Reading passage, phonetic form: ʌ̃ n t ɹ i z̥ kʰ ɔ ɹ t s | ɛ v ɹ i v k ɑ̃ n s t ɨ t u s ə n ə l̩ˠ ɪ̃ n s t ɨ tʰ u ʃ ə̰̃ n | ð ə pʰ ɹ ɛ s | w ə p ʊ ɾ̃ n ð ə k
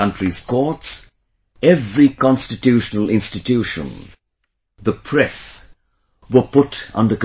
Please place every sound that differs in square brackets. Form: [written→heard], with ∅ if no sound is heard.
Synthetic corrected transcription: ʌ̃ n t ɹ i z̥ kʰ ɔ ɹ t s | ɛ v ɹ i [v→∅] k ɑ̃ n s t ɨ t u [s→ʃ] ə n ə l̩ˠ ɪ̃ n s t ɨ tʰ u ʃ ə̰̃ n | ð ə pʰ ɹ ɛ s | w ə p ʊ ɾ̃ n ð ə k

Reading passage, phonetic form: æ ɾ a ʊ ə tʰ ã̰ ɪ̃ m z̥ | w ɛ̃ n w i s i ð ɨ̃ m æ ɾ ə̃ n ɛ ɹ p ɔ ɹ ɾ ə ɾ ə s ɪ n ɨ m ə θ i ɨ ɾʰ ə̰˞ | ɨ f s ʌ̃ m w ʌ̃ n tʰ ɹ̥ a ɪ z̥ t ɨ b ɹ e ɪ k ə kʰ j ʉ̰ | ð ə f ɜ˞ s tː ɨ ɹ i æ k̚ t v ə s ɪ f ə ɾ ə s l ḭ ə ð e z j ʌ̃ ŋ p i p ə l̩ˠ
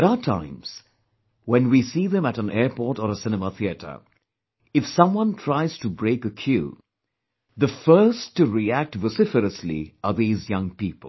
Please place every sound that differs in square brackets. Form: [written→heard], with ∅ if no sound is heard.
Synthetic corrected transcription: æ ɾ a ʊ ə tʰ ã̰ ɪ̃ m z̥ | w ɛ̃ n w i s i ð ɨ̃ m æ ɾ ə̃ n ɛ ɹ p ɔ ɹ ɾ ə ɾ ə s ɪ n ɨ m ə θ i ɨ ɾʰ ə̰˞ | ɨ f s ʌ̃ m w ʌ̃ n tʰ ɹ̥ a ɪ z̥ t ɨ b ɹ e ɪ k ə kʰ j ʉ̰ | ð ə f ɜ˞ s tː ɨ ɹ i æ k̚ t v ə s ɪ f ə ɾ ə s l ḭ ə ð [e→i] z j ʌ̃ ŋ p i p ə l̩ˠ

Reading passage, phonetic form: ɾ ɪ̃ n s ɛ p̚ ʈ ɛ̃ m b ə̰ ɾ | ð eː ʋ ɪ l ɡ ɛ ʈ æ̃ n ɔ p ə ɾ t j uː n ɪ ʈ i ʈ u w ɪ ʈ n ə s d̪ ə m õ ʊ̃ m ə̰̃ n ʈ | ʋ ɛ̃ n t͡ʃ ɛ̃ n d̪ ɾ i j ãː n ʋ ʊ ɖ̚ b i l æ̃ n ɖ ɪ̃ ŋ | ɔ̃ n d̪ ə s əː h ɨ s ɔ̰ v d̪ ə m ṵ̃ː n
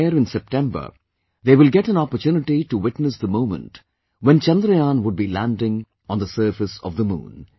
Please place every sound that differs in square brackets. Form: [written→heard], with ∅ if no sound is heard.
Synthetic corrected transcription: ɾ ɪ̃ n s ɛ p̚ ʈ ɛ̃ m b ə̰ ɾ | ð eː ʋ ɪ l ɡ ɛ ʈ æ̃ n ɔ p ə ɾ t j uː n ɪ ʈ i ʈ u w ɪ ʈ n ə s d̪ ə m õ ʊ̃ m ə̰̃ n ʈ | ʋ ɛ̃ n t͡ʃ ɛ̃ n d̪ ɾ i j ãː n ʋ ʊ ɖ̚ b i l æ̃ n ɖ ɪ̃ ŋ | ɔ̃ n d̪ ə s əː [h→f] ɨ s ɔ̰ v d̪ ə m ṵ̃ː n

